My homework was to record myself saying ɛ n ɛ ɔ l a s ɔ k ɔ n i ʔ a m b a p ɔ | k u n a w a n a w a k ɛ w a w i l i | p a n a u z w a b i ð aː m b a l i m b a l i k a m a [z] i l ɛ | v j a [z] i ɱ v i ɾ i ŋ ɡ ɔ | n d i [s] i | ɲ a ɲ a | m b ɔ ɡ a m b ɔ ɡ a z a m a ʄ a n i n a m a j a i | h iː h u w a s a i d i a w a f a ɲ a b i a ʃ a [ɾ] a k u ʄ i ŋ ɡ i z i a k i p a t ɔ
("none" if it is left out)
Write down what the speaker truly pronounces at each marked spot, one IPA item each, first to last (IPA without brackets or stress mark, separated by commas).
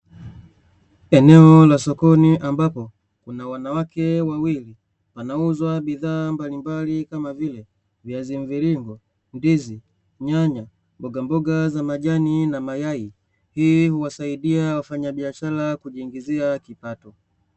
v, z, z, l